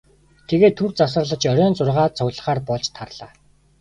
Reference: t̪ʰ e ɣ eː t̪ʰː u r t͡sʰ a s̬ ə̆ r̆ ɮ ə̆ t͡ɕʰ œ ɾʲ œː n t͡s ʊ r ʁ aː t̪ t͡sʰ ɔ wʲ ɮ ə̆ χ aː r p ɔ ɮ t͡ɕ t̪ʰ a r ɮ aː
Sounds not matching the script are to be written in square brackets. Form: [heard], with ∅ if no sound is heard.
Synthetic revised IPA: t̪ʰ e ɣ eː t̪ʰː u r [t͡s] a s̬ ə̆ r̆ ɮ ə̆ [t͡ɕ] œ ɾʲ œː n t͡s ʊ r ʁ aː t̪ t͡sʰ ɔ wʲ ɮ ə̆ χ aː r p ɔ ɮ t͡ɕ t̪ʰ a r ɮ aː